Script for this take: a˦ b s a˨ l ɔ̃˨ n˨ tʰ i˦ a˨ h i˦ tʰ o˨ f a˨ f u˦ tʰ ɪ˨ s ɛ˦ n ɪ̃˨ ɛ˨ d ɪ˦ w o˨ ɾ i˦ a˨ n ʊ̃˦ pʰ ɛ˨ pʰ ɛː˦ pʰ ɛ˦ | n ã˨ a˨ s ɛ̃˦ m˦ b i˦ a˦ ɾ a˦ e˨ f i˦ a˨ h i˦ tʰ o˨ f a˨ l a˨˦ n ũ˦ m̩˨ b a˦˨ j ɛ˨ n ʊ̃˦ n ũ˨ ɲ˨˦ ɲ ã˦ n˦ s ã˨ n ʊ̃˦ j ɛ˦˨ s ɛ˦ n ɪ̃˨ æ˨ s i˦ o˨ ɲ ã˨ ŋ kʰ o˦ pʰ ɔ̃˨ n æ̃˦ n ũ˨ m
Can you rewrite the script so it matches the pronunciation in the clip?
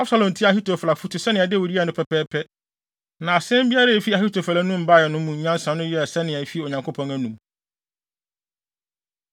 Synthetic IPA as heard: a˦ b s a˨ l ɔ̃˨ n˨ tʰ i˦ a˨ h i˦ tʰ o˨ f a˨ f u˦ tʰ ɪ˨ s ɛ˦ n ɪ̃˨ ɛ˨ d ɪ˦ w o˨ ɾ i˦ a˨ n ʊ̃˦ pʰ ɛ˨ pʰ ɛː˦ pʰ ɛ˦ | n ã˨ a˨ s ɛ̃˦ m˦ b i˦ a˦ ɾ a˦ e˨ f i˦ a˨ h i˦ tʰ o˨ f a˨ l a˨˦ n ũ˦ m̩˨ b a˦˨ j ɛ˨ n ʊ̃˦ m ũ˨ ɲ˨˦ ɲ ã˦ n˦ s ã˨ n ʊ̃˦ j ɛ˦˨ s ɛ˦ n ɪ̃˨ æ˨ f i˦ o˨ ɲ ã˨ ŋ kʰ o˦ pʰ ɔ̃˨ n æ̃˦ n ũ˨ m